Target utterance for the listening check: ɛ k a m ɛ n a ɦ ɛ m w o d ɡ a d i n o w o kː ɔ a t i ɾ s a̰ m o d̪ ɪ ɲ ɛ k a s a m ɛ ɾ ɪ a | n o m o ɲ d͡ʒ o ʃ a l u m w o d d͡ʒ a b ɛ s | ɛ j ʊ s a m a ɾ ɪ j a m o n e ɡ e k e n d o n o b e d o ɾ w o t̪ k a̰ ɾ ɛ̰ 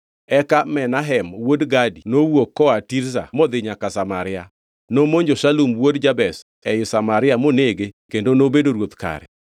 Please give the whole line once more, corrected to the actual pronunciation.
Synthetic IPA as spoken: ɛ k a m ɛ n a ɦ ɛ m w o d ɡ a d i n o w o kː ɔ a t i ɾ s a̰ m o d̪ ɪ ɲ a k a s a m a ɾ ɪ a | n o m o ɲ d͡ʒ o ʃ a l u m w o d d͡ʒ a b ɛ s | ɛ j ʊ s a m a ɾ ɪ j a m o n e ɡ e k e n d o n o b e d o ɾ w o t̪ k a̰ ɾ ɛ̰